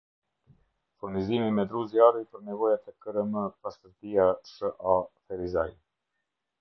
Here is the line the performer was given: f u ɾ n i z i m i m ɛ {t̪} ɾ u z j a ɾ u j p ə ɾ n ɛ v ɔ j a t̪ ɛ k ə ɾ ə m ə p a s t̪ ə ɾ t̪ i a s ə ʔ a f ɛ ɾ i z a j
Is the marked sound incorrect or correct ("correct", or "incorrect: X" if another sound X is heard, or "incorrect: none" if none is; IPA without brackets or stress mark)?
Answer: incorrect: d̪